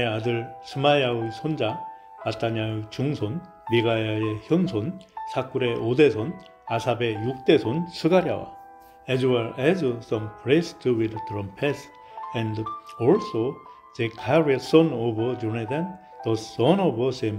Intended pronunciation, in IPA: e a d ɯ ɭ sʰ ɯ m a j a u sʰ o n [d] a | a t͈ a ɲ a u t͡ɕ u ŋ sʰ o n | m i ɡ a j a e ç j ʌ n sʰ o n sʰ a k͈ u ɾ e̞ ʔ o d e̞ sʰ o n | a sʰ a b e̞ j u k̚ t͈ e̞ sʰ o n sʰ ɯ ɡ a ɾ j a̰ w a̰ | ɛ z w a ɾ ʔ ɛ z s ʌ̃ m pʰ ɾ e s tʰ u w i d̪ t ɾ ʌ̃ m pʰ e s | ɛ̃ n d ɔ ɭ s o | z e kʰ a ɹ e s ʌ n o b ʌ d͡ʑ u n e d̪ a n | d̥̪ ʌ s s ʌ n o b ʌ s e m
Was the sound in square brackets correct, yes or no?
no